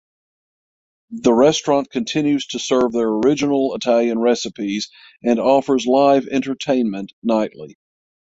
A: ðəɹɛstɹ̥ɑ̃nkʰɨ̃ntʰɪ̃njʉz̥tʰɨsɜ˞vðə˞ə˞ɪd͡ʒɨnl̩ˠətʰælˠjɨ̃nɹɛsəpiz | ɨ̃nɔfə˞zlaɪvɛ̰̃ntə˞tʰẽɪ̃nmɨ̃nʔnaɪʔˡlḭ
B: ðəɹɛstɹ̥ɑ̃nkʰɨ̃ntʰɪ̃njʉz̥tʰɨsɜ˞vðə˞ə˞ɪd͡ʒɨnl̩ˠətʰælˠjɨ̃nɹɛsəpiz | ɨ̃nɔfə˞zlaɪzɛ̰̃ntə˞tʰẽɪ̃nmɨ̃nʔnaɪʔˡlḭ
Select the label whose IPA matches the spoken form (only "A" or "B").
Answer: A